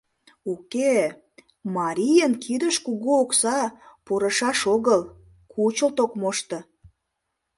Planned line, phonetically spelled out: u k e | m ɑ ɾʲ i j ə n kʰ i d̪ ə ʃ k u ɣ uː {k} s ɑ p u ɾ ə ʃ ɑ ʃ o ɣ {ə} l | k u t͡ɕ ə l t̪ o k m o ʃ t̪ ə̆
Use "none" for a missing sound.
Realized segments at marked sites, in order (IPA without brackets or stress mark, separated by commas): k, ə